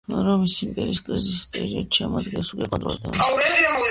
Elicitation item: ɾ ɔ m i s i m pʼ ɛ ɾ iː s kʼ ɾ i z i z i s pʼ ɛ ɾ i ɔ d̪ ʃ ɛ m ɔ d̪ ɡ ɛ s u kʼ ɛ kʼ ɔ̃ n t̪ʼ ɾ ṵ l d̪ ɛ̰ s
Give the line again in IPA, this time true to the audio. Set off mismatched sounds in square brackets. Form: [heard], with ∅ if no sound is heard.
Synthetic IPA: ɾ ɔ m i s i m pʼ ɛ ɾ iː s kʼ ɾ i z i [s] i s pʼ ɛ ɾ i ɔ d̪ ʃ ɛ m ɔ d̪ ɡ ɛ s u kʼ ɛ kʼ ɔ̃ n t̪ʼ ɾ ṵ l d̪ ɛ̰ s